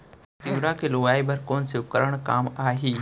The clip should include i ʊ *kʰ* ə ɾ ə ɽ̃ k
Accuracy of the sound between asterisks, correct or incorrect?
incorrect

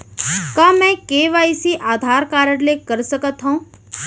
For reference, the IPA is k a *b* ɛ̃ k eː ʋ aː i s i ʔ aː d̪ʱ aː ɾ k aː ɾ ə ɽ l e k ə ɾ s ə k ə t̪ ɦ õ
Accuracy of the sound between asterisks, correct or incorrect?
incorrect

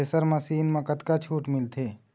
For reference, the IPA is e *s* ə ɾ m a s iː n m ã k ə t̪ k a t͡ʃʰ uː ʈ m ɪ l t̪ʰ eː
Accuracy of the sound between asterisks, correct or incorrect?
correct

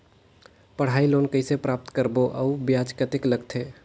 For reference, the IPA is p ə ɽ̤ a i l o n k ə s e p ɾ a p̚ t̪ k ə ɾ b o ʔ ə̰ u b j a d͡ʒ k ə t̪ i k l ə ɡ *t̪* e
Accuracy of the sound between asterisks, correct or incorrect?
incorrect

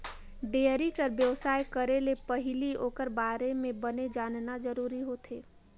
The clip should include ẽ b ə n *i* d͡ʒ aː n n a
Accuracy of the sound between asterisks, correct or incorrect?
incorrect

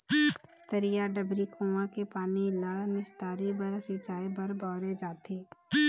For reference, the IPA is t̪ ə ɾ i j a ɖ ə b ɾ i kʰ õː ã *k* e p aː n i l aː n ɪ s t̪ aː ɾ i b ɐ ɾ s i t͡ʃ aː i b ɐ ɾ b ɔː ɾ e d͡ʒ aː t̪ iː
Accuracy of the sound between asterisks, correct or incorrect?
correct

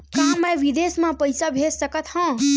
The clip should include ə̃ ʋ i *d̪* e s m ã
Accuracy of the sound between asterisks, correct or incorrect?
correct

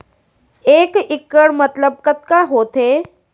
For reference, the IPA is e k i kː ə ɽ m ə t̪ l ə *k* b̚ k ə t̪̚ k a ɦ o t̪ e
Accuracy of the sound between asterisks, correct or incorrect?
incorrect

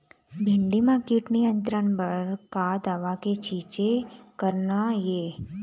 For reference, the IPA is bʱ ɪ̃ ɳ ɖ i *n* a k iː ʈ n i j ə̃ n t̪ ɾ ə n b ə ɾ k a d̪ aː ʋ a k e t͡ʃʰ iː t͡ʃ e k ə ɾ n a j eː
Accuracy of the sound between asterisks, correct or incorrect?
incorrect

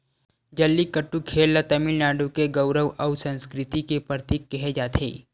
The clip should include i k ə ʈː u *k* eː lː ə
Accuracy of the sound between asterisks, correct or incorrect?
incorrect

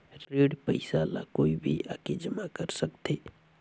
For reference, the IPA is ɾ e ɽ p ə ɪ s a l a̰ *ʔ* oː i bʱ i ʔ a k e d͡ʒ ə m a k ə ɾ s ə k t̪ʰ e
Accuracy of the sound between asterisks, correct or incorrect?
incorrect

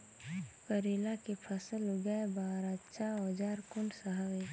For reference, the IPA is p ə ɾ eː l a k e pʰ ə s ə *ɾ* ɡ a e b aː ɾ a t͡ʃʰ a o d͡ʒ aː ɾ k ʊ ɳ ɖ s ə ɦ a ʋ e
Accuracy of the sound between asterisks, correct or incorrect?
incorrect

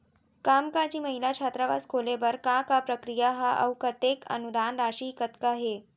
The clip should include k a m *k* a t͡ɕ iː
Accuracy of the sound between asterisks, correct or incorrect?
correct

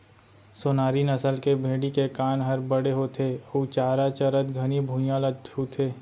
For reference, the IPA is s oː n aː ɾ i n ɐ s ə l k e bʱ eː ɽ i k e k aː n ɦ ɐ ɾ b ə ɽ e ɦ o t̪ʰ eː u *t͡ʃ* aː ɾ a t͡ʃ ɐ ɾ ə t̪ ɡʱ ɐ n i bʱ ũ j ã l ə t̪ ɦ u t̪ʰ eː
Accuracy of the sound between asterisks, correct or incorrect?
correct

